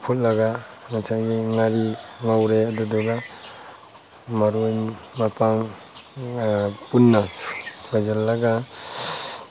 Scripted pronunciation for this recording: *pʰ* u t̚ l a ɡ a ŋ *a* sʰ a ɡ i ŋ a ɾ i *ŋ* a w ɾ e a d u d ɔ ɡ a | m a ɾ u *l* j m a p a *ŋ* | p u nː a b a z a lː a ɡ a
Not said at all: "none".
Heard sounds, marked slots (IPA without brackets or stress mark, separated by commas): pʰ, a, ŋ, none, ŋ